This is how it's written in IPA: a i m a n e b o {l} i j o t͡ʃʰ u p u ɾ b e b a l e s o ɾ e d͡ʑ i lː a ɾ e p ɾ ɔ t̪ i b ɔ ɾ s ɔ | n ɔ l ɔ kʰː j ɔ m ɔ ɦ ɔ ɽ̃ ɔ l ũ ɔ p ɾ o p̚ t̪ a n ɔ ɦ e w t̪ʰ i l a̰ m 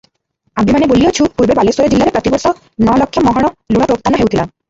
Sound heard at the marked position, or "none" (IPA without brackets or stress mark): l